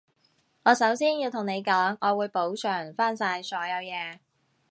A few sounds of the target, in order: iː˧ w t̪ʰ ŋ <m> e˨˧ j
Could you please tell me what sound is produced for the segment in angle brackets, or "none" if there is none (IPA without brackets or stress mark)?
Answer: n